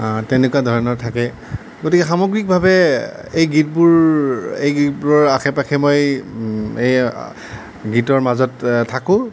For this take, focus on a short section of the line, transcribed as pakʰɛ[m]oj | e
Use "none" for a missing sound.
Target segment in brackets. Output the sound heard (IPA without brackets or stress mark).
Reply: m